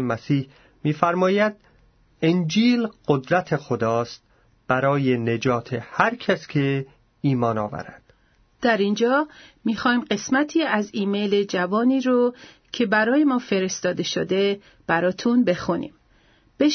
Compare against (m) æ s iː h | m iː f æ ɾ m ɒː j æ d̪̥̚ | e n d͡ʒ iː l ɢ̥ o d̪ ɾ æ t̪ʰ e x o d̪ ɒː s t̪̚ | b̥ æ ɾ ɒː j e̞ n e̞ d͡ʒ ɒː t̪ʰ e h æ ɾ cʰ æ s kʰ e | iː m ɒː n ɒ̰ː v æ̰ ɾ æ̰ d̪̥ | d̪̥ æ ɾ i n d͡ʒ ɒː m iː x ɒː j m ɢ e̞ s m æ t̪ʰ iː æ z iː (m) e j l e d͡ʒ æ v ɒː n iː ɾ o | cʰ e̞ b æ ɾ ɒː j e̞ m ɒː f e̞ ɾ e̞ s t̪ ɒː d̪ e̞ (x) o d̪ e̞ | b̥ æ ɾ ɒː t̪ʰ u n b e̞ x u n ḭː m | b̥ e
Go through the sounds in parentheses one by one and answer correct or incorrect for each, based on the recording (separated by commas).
correct, correct, incorrect